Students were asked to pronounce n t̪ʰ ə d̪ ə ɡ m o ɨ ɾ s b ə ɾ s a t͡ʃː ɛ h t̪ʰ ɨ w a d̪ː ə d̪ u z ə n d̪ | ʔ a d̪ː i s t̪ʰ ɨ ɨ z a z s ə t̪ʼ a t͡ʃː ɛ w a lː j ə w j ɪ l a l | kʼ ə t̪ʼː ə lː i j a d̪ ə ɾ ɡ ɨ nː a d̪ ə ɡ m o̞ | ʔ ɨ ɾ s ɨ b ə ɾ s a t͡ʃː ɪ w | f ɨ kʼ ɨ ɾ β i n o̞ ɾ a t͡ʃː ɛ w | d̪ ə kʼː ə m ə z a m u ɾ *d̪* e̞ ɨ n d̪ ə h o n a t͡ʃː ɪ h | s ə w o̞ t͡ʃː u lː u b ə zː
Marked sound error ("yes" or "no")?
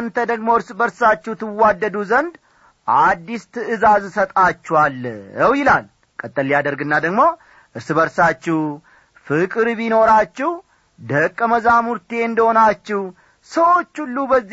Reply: yes